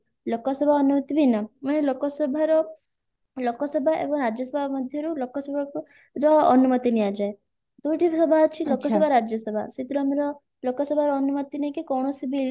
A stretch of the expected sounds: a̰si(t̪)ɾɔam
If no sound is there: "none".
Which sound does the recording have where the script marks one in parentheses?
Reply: t̪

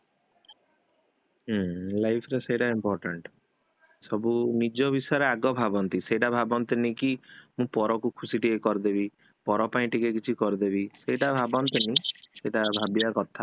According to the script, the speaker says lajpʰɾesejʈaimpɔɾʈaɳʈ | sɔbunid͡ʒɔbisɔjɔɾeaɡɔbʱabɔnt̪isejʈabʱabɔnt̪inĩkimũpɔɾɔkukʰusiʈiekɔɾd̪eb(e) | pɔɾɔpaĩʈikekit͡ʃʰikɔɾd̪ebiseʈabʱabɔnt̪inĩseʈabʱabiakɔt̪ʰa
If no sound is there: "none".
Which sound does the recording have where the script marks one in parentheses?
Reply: i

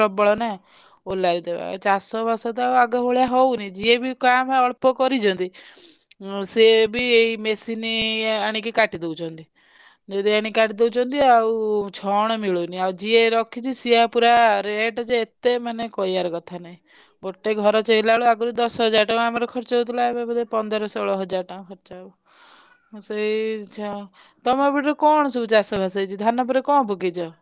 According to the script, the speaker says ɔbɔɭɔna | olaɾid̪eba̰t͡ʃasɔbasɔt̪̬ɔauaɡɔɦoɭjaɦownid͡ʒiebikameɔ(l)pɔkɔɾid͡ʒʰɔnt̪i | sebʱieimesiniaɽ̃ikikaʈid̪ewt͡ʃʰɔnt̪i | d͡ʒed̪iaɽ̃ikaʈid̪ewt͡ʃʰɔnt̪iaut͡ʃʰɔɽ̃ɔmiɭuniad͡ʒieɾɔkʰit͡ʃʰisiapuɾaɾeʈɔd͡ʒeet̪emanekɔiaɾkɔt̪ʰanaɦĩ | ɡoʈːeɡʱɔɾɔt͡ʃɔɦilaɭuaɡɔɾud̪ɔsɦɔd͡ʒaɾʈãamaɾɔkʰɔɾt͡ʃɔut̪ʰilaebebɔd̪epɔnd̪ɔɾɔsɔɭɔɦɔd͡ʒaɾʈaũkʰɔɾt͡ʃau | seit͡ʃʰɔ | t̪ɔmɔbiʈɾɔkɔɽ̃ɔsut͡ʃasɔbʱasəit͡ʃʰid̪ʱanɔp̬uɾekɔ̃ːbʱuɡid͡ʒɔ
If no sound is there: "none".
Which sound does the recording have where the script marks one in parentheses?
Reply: ɭ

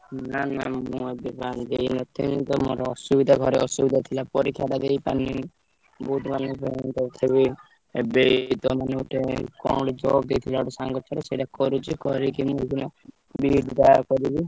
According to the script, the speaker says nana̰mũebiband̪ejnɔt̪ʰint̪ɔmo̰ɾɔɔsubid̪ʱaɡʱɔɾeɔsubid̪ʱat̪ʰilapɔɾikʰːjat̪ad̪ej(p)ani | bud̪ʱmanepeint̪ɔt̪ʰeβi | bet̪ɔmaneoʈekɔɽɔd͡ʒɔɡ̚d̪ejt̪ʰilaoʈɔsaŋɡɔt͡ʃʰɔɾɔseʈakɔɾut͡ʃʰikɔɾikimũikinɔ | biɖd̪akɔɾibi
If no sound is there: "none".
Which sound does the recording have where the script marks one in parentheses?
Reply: p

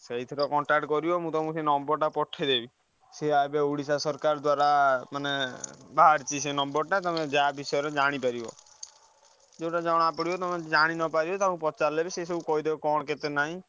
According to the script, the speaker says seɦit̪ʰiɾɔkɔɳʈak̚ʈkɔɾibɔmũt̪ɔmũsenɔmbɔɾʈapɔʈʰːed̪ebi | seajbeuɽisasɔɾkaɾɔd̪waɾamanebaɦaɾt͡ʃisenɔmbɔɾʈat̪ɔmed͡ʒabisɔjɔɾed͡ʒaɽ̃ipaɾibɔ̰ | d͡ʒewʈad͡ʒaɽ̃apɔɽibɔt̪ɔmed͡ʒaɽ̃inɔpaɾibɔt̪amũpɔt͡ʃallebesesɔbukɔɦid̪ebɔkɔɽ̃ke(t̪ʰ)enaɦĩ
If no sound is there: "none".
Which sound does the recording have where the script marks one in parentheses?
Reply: t̪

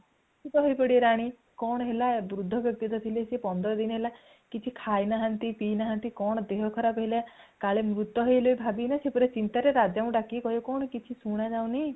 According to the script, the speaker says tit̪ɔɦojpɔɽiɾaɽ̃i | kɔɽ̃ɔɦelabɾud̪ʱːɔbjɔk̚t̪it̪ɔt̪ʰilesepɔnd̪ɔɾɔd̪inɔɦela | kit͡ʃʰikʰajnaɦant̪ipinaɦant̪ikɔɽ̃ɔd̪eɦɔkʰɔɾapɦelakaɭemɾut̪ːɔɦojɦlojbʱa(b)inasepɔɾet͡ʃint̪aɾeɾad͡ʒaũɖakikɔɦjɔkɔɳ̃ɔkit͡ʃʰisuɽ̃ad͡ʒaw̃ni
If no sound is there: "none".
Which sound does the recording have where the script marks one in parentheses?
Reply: b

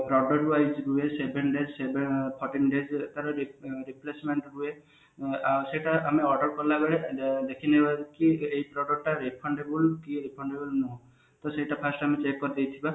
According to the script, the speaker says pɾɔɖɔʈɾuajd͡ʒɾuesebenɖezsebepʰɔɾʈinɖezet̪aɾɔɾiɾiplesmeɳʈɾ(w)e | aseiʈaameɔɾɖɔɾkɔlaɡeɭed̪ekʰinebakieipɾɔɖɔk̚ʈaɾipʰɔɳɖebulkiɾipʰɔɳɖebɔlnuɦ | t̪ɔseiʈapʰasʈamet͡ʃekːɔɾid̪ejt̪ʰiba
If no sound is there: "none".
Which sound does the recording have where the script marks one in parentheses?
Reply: u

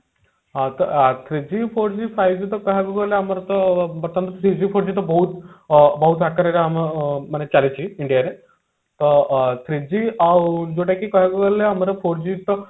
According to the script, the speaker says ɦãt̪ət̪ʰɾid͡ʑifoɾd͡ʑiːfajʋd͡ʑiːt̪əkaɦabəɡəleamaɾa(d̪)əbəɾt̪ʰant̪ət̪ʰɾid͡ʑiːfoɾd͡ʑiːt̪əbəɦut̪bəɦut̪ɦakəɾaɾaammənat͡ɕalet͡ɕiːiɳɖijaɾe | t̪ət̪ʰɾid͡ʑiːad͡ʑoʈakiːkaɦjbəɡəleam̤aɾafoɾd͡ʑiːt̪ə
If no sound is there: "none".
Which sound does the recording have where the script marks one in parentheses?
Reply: t̪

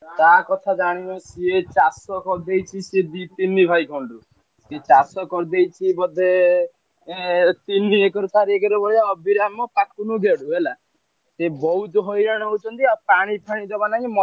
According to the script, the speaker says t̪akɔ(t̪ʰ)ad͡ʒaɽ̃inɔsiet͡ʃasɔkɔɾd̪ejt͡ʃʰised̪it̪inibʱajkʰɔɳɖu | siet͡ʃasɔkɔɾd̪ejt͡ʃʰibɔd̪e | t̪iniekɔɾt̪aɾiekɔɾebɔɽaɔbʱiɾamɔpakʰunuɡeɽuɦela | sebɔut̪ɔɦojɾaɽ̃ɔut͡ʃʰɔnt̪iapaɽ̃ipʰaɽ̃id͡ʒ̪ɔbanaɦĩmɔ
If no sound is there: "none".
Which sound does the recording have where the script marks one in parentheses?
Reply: t̪ʰ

